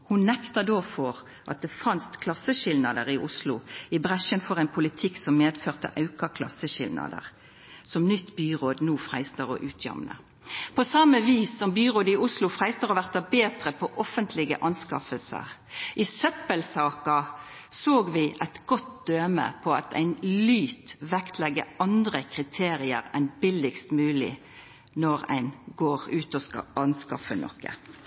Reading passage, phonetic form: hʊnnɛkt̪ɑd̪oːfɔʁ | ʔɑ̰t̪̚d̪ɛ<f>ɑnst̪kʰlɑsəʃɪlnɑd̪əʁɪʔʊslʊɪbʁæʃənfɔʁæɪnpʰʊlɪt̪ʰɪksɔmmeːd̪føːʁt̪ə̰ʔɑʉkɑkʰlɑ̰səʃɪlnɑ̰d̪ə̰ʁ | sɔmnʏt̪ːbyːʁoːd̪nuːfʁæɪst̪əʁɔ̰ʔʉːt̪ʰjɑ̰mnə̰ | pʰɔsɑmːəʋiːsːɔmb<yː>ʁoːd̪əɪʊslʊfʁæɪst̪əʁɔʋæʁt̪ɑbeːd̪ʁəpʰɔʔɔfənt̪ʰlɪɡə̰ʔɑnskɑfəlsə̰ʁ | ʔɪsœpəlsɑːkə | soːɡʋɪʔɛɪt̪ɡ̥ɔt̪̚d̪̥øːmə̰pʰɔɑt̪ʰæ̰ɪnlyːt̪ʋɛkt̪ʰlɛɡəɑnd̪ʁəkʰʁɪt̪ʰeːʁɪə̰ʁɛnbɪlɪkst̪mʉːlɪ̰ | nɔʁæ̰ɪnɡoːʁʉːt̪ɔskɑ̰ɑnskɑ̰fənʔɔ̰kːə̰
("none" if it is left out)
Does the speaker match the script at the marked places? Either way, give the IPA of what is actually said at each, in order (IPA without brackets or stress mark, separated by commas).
f, yː